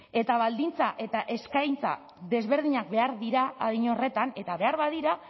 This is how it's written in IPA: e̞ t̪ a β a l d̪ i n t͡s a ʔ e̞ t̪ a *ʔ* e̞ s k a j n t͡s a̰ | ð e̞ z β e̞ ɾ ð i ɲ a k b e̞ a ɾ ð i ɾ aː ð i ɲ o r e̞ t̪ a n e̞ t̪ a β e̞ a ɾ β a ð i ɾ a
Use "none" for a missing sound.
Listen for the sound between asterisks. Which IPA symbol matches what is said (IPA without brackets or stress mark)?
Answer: ʔ